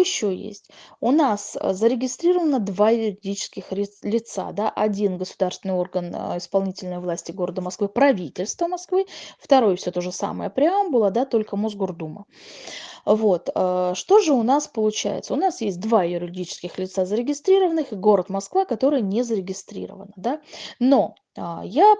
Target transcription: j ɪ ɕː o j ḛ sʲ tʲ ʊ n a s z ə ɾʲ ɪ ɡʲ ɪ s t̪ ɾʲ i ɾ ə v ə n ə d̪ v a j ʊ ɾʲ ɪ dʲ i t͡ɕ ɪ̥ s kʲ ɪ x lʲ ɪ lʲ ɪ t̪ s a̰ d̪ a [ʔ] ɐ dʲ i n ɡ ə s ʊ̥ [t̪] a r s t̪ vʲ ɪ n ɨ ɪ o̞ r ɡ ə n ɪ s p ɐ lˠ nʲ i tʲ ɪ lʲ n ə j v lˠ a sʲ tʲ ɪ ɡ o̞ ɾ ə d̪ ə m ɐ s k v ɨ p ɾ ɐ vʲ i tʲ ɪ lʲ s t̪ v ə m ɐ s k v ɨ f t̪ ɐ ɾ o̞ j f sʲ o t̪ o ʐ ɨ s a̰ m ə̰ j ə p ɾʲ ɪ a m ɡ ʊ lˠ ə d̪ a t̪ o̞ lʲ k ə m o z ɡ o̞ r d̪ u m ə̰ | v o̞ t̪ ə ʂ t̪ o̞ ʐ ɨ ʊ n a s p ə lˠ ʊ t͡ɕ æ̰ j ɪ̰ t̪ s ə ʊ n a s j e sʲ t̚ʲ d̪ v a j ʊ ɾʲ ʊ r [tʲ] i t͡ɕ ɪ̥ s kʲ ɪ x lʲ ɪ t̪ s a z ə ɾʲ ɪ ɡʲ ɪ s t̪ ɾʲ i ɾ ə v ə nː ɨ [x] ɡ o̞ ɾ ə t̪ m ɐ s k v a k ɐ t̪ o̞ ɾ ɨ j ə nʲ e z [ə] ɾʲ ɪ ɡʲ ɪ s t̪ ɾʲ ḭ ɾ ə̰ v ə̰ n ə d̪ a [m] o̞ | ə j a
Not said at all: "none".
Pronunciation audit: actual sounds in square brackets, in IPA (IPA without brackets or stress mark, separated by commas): ʔ, d̪, dʲ, x, ə, n